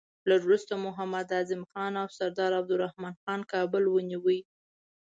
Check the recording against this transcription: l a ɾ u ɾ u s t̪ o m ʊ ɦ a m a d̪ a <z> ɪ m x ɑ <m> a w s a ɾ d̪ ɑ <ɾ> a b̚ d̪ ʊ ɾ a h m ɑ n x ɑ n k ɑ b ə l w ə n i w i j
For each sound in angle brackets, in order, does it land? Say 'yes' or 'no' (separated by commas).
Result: yes, no, yes